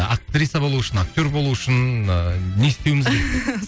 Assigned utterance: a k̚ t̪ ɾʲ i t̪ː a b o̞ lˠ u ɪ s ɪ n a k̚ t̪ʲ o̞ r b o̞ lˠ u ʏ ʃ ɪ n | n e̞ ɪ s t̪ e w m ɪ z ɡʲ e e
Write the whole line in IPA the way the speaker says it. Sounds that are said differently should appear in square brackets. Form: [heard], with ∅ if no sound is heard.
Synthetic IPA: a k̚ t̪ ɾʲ i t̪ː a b o̞ lˠ u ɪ [ʃ] ɪ n a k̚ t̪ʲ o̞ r b o̞ lˠ u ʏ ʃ ɪ n | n e̞ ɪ s t̪ e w m ɪ z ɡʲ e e